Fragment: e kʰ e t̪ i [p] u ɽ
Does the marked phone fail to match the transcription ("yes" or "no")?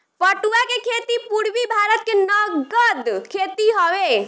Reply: no